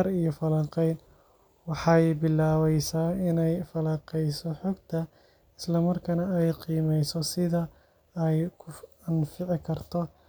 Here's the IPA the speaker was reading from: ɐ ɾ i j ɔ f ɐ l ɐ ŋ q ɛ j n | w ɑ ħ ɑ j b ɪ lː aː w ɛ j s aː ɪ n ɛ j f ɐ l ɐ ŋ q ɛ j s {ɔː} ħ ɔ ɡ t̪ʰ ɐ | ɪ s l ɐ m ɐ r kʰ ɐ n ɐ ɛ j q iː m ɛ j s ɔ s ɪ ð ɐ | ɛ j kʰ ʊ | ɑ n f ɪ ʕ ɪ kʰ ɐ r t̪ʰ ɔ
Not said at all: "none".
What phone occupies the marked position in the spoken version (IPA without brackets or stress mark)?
ɔ